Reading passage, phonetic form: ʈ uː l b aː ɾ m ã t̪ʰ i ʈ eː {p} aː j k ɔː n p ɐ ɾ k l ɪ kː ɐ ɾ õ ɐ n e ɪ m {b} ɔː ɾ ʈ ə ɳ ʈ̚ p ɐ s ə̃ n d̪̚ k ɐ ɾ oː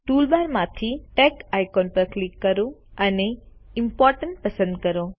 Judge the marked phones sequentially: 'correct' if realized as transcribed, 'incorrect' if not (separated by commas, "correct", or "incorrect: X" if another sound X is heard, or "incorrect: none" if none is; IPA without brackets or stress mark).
incorrect: k, incorrect: p